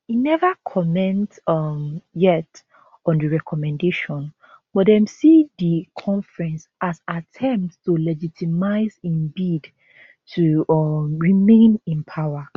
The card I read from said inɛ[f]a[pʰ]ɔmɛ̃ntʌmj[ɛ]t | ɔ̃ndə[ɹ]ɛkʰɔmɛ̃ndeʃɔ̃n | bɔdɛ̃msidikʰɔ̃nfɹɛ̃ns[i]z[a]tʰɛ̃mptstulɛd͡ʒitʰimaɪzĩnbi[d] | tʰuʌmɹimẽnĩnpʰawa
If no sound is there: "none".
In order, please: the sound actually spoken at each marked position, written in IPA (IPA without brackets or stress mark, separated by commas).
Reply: v, kʰ, ɛ, ɹ, a, a, d